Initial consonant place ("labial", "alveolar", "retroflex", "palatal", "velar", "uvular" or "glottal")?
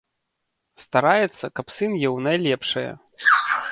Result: alveolar